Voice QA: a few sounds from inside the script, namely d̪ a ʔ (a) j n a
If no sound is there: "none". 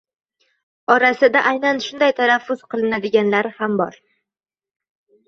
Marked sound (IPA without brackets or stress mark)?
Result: a